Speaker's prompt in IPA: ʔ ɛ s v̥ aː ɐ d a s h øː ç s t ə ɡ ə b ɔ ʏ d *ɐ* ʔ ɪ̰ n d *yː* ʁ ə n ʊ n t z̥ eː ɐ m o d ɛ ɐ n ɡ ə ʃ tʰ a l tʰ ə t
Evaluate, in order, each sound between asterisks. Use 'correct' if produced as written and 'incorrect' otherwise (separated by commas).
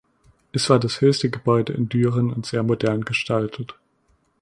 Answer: incorrect, correct